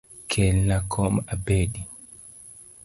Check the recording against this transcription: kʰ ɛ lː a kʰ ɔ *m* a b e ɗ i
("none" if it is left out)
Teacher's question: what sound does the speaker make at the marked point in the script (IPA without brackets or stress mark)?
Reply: m